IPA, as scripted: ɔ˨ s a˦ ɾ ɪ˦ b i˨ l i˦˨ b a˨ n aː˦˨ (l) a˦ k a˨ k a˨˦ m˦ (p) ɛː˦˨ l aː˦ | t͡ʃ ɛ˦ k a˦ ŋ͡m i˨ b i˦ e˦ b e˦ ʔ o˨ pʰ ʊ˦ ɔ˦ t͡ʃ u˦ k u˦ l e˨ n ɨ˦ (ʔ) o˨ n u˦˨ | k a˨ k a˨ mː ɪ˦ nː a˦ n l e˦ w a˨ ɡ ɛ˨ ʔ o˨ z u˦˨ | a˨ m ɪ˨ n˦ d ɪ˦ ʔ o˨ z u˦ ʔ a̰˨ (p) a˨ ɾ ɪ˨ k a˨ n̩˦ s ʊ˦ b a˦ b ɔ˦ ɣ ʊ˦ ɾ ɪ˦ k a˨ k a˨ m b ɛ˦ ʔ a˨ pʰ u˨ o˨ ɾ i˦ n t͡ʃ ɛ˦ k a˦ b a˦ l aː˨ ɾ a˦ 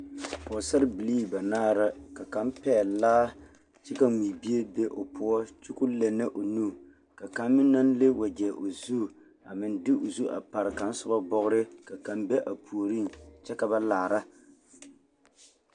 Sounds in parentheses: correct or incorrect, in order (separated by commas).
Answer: incorrect, correct, correct, correct